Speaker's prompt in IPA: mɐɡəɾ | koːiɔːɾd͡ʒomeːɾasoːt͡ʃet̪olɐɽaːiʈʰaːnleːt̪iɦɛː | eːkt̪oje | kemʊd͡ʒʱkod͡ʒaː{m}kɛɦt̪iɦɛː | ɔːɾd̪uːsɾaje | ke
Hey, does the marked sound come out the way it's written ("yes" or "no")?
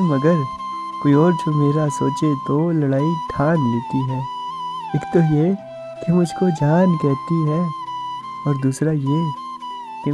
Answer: no